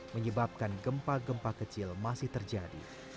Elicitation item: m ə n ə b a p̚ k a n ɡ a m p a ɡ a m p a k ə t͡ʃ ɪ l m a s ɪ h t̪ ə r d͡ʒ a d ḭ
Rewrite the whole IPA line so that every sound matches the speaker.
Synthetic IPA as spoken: m ə ɲ ə b a p̚ k a n ɡ ə m p a ɡ ə m p a k ə t͡ʃ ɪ l m a s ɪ h t̪ ə r d͡ʒ a d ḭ